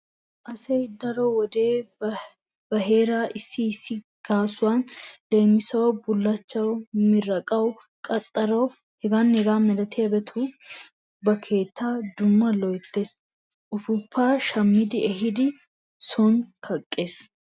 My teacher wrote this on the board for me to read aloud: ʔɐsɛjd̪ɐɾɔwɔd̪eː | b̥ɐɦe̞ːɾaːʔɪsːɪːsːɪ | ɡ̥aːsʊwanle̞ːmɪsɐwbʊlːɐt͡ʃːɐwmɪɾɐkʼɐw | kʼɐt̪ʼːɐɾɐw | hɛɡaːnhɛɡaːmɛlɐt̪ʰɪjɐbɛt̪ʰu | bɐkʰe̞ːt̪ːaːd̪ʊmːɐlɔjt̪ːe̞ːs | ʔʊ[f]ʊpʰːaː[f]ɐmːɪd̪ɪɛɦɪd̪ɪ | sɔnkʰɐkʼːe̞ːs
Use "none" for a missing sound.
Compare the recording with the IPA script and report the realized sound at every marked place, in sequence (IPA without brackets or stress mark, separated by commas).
f, ʃ